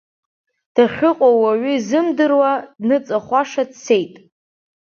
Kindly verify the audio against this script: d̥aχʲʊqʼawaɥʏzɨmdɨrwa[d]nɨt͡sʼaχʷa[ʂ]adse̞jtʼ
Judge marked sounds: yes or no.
yes, yes

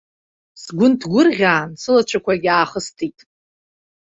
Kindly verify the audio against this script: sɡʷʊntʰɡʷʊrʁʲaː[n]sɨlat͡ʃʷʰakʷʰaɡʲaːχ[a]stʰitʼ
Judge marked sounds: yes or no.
yes, no

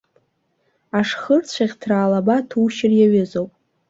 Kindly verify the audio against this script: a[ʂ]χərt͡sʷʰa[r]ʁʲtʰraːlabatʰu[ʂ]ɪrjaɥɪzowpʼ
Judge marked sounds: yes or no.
yes, no, no

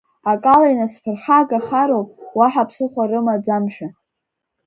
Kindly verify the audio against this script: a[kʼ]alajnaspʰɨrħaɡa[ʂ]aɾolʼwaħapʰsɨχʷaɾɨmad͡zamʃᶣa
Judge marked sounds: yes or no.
yes, no

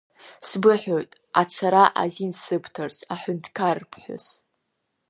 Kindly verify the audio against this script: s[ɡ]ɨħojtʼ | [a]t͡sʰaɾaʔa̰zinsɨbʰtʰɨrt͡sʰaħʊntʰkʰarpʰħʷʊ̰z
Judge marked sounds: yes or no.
no, yes

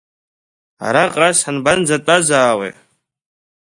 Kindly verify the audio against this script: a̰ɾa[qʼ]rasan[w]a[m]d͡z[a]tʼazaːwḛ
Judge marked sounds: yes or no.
yes, no, no, yes

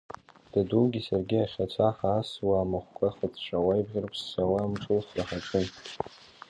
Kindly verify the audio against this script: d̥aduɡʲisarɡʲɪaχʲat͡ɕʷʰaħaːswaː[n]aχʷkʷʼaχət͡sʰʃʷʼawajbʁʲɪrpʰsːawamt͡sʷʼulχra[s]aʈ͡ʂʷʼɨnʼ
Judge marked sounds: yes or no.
no, no

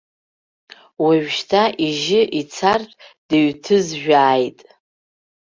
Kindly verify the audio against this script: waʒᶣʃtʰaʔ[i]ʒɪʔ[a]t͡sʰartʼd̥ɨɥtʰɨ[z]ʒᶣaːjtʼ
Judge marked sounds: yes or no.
yes, no, yes

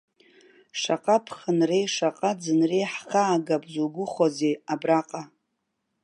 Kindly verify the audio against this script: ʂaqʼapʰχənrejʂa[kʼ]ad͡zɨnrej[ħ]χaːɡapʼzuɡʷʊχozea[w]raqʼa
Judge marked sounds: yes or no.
no, yes, no

